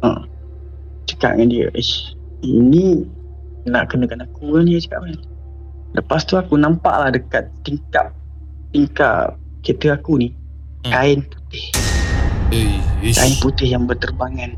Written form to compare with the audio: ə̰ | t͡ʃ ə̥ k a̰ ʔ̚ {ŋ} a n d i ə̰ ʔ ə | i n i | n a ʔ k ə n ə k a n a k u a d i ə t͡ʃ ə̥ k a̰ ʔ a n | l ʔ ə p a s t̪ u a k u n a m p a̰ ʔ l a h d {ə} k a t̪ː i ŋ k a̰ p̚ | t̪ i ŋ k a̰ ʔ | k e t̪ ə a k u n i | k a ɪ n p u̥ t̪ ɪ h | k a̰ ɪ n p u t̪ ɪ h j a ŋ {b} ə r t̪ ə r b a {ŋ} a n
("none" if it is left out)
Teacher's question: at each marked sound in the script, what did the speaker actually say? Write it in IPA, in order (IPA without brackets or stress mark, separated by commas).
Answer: ŋ, ə, b, ŋ